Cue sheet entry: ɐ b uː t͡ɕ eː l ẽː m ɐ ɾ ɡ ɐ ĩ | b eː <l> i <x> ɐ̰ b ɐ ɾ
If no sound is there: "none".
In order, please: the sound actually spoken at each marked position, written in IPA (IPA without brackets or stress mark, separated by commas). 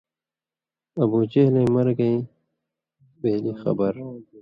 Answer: l, x